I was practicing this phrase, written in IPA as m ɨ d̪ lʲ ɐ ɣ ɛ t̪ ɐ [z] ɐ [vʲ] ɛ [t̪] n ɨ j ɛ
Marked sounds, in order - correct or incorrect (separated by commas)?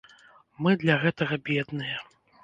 incorrect, incorrect, incorrect